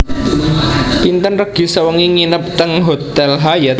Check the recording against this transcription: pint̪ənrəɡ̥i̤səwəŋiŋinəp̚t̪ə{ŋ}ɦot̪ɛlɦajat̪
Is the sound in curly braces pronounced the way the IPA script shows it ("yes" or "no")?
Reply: yes